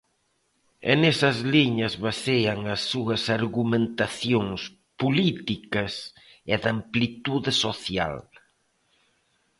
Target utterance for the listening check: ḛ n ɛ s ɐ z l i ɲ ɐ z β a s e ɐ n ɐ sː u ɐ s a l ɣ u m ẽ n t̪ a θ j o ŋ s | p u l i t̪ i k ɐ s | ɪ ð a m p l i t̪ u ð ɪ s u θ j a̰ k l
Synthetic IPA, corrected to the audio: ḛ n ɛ s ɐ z l i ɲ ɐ z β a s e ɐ ŋ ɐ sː u ɐ s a ɾ ɣ u m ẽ n t̪ a θ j o ŋ s | p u l i t̪ i k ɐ s | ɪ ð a m p l i t̪ u ð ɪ s o θ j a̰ l